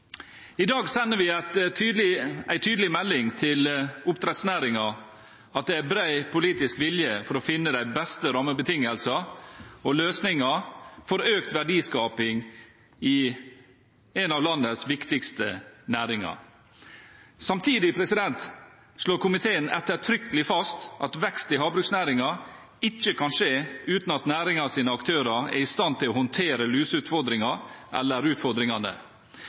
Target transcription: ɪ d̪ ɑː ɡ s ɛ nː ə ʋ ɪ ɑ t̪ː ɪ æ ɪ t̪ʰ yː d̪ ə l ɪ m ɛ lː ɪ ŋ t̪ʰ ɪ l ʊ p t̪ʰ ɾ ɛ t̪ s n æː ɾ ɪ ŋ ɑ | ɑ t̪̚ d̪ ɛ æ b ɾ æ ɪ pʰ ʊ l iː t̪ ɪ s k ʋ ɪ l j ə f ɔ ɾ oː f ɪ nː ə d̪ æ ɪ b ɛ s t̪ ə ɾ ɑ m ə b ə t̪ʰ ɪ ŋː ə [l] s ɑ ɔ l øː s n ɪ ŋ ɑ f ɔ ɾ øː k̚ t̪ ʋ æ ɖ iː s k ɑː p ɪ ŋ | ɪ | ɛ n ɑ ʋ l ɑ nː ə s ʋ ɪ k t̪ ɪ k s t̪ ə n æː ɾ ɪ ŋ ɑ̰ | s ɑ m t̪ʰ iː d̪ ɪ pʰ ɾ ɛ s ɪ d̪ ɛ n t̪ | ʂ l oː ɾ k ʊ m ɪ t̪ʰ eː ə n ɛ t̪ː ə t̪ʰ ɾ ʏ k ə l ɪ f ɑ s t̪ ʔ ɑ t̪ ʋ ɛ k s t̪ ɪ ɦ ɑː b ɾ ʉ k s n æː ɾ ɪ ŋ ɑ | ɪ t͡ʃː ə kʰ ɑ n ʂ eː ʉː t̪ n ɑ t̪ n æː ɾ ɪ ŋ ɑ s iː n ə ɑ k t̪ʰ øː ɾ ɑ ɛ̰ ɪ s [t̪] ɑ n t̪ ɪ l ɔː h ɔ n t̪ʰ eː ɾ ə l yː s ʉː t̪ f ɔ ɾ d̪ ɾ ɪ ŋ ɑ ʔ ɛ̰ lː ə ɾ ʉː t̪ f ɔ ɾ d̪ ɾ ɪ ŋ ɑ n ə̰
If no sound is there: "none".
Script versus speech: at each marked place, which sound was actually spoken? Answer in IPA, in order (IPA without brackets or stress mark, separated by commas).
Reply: l, t̪